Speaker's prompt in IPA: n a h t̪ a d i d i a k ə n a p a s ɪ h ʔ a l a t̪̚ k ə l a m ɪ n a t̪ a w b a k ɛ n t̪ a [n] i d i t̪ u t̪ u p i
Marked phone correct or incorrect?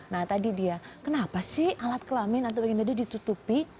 incorrect